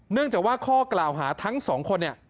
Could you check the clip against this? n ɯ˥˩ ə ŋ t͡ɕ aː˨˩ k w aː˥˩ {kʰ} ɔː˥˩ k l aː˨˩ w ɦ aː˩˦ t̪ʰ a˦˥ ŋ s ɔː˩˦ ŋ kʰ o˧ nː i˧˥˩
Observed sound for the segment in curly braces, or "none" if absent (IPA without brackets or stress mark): kʰ